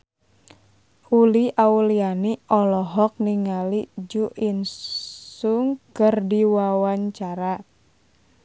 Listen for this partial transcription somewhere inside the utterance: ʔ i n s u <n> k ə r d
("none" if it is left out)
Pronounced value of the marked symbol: ŋ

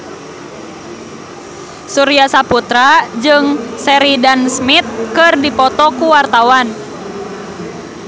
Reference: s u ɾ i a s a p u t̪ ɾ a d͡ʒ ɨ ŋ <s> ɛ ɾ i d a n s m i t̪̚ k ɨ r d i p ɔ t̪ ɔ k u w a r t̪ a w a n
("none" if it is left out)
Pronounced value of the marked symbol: s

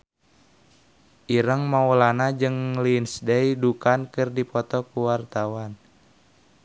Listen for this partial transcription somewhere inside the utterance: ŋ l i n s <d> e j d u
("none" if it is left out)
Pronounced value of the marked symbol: d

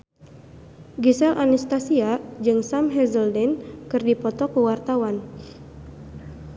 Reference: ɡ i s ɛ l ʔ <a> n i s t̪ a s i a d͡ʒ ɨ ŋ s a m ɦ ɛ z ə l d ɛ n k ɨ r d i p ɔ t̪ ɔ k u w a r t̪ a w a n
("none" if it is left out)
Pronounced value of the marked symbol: a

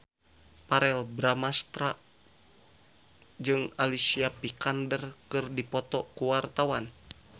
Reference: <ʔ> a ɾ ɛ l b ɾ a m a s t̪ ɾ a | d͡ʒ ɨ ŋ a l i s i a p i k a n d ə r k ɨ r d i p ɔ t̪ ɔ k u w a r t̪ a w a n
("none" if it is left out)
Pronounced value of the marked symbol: p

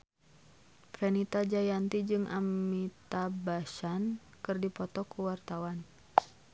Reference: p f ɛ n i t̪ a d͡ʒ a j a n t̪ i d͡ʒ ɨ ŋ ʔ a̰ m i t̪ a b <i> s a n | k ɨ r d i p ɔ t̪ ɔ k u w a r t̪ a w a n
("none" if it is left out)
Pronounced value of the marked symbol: a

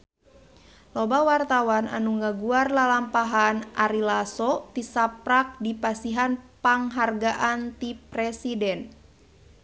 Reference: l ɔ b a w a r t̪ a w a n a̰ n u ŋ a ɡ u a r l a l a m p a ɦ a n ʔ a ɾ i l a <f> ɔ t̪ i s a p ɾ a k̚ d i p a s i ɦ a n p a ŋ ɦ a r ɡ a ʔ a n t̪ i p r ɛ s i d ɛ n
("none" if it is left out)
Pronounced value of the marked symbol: s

